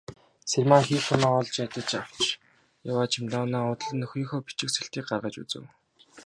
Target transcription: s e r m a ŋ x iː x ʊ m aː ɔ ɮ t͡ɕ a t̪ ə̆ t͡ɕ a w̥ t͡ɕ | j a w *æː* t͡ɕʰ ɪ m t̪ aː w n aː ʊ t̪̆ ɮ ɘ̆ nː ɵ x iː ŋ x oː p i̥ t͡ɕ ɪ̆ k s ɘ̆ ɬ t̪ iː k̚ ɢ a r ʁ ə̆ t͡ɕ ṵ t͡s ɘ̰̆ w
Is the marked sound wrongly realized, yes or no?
yes